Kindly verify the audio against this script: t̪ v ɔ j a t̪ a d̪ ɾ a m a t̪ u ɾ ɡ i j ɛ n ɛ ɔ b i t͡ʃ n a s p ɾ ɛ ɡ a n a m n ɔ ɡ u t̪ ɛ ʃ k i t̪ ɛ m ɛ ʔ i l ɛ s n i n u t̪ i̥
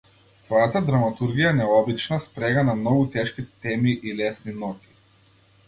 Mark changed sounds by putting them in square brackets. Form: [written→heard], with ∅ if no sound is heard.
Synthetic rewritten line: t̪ v ɔ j a t̪ a d̪ ɾ a m a t̪ u ɾ ɡ i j [ɛ→a] n ɛ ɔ b i t͡ʃ n a s p ɾ ɛ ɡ a n a m n ɔ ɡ u t̪ ɛ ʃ k i t̪ ɛ m [ɛ→i] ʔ i l ɛ s n i n [u→ɔ] t̪ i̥